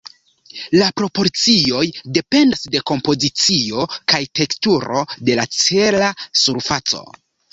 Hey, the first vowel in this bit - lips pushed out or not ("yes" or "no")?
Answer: no